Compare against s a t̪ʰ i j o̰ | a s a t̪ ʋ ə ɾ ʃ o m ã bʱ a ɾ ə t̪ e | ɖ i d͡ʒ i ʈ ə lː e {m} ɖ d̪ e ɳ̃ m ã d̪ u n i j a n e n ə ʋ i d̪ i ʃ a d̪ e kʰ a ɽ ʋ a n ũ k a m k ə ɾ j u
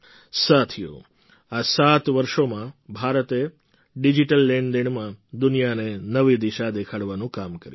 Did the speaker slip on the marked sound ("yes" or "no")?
yes